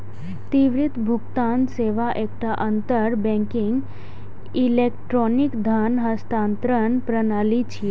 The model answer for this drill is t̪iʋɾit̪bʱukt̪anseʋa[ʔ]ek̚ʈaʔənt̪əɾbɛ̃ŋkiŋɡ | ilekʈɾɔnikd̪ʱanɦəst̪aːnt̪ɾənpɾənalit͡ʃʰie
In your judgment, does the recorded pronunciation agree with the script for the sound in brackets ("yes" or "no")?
yes